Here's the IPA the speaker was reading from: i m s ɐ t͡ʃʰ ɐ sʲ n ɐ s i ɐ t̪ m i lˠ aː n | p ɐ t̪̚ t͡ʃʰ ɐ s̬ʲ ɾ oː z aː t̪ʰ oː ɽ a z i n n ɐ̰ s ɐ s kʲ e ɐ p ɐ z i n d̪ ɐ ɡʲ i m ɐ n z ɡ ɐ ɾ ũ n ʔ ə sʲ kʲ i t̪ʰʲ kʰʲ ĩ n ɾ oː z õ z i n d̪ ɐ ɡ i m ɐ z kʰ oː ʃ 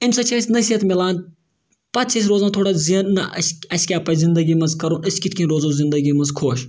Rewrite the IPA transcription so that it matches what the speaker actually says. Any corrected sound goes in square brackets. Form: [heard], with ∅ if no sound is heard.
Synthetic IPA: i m s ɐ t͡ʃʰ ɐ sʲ n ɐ s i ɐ t̪ m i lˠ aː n | p ɐ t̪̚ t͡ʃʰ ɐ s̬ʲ ɾ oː z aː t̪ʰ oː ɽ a z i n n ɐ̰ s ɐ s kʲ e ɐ p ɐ z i n d̪ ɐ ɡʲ i m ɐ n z [k] ɐ ɾ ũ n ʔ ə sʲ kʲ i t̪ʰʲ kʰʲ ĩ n ɾ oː z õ z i n d̪ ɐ ɡ i m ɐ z kʰ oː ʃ